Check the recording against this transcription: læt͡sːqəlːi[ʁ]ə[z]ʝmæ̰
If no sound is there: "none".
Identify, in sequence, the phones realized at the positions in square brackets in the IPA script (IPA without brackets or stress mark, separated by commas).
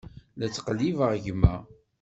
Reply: v, ʁ